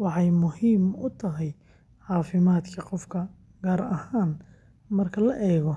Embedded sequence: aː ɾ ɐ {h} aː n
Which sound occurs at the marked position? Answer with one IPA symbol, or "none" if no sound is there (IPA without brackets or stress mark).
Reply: h